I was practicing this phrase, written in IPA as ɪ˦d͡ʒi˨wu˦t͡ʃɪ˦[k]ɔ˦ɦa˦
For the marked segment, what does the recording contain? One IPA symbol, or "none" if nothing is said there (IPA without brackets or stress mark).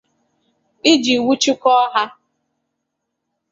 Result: k